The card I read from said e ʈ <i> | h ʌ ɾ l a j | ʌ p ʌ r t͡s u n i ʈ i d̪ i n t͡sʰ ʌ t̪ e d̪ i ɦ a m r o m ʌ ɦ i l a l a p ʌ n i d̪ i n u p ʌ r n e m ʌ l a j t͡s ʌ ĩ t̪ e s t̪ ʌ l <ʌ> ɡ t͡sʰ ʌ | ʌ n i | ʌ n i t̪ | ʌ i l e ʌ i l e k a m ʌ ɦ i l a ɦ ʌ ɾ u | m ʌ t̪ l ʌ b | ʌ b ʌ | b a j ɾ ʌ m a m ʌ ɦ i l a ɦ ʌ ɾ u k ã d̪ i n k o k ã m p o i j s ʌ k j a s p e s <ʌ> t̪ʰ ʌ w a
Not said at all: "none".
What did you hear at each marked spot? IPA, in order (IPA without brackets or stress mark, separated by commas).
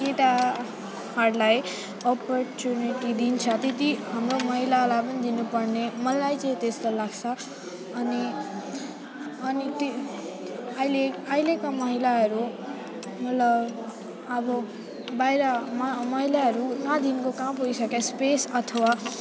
a, a, ʌ